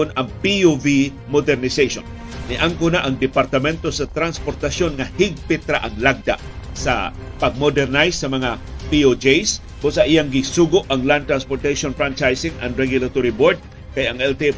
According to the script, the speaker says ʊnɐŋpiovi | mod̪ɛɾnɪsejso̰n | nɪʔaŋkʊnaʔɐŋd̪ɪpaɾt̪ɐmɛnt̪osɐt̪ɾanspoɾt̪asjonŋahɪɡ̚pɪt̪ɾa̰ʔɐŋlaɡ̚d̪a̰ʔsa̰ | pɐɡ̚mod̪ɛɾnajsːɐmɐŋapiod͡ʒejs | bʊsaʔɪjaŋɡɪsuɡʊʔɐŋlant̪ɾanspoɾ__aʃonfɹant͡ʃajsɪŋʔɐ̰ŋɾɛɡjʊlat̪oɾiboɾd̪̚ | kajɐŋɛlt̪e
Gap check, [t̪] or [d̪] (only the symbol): t̪